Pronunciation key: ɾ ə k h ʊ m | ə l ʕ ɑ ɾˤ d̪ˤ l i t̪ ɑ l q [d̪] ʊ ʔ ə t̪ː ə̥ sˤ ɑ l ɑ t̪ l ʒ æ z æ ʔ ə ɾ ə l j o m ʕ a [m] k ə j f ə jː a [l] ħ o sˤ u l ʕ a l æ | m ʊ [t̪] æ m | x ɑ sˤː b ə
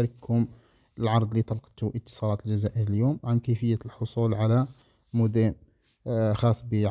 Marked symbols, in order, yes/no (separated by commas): no, no, yes, no